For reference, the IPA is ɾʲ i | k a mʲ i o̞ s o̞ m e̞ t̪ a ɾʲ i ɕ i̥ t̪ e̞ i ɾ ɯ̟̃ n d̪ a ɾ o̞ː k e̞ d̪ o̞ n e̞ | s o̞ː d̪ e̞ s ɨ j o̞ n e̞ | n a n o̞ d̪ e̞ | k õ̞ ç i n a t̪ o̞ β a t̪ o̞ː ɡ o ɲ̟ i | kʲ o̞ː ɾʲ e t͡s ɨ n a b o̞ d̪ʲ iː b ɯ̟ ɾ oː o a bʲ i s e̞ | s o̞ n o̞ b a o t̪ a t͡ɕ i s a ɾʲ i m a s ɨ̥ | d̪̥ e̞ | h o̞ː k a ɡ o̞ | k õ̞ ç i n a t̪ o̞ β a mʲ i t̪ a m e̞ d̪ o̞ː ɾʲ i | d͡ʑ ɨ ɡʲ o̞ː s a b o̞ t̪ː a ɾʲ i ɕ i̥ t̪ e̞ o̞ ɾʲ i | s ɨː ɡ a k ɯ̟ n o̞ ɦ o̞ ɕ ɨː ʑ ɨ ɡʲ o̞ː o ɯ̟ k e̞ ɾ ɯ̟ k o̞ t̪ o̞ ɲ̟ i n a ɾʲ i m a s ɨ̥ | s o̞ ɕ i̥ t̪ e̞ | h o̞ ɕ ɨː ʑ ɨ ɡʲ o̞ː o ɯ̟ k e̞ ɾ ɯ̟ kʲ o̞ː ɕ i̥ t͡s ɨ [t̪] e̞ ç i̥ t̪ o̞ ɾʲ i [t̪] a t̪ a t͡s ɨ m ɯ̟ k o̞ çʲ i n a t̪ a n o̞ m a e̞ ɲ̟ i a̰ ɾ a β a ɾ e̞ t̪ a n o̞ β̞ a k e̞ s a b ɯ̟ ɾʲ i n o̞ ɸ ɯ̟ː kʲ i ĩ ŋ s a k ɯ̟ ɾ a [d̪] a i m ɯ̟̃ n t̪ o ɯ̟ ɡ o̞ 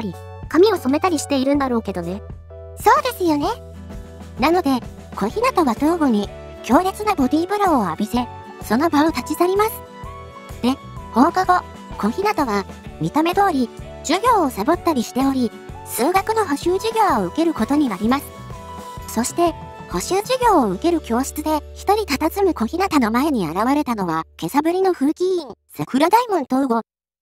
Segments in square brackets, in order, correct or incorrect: incorrect: d̪, correct, correct

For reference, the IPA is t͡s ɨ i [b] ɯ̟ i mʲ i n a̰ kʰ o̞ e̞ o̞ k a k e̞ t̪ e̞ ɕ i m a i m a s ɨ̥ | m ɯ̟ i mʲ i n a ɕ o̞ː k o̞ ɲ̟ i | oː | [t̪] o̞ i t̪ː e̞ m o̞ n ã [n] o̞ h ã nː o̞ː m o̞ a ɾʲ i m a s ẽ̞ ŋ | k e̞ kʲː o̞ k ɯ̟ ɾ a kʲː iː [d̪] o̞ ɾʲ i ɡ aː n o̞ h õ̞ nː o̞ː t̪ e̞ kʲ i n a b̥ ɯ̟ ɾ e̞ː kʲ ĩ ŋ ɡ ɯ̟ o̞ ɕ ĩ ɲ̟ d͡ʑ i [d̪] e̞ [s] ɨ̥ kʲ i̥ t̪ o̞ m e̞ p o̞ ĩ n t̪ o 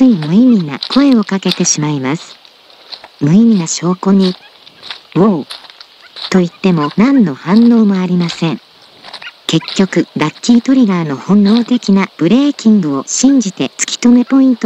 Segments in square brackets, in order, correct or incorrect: incorrect: m, correct, incorrect: nː, incorrect: t̪, incorrect: t̪, incorrect: t͡s

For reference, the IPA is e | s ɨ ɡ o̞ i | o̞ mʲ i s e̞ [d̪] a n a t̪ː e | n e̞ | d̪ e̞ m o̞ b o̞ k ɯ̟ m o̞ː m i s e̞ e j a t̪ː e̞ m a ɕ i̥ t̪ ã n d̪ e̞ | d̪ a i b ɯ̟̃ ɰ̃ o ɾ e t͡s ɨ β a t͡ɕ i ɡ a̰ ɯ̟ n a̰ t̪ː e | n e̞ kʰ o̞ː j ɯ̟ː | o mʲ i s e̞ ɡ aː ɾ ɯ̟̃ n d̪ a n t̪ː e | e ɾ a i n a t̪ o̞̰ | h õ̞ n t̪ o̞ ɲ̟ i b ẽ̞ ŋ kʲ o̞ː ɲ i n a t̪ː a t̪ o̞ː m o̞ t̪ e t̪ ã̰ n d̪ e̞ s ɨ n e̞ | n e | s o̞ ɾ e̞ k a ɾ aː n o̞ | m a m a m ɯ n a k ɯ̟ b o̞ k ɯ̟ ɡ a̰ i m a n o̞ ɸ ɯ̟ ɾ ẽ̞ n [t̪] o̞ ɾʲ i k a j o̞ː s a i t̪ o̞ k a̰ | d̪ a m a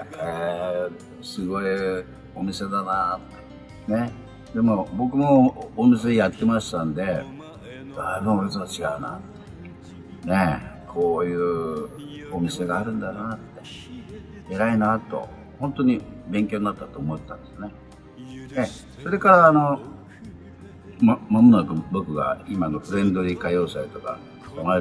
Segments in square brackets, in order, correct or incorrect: correct, incorrect: d̪

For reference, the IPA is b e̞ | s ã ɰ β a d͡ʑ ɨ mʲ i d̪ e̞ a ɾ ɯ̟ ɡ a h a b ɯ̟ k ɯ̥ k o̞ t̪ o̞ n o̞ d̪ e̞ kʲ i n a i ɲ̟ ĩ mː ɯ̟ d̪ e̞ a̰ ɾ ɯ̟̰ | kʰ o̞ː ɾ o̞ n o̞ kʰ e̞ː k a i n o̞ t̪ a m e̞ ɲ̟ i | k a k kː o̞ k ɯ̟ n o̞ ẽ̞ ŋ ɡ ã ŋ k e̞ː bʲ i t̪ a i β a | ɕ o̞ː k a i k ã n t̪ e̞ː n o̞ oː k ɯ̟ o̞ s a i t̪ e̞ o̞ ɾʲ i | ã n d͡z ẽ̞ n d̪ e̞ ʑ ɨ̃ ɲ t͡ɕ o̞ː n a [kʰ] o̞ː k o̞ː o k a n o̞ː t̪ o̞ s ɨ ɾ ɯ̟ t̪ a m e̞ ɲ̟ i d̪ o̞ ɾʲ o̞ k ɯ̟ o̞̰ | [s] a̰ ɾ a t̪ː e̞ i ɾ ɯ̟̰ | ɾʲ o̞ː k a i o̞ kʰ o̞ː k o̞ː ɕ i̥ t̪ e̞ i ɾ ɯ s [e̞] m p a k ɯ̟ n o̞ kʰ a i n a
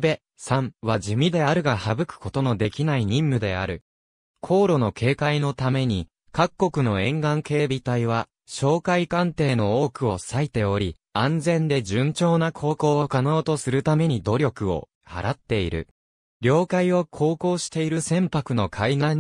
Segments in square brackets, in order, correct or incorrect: correct, incorrect: h, incorrect: ẽ̞

